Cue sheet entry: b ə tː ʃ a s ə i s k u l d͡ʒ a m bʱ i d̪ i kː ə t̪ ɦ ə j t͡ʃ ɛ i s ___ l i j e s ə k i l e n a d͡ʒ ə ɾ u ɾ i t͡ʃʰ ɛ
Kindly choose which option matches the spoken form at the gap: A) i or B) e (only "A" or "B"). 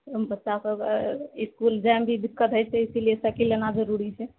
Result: A